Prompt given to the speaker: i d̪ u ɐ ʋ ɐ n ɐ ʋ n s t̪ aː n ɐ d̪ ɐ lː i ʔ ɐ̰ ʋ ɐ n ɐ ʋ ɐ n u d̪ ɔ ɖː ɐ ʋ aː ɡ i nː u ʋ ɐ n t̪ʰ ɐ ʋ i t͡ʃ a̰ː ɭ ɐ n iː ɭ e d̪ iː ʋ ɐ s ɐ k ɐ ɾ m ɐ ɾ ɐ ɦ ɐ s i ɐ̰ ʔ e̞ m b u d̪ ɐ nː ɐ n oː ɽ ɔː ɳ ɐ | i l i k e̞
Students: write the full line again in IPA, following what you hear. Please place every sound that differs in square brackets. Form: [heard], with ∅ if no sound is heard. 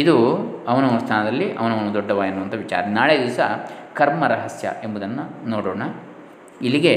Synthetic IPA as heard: i d̪ u ɐ ʋ ɐ n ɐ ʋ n s [t̪ʰ] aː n ɐ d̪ ɐ lː i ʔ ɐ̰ ʋ ɐ n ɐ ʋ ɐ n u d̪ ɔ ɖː ɐ ʋ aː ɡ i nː u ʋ ɐ n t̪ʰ ɐ ʋ i t͡ʃ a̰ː [ɾ] ɐ n [aː] ɭ e d̪ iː ʋ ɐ s ɐ k ɐ ɾ m ɐ ɾ ɐ ɦ ɐ s [j] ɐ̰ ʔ e̞ m b u d̪ ɐ nː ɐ n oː ɽ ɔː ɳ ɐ | i l i [ɡ] e̞